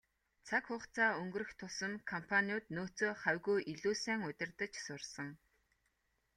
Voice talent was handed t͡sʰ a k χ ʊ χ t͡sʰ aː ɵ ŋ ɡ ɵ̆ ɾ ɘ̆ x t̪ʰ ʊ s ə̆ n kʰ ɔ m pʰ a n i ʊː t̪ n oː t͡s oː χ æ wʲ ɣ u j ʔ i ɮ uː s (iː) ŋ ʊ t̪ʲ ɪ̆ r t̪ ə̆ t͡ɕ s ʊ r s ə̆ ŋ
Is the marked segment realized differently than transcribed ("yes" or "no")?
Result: yes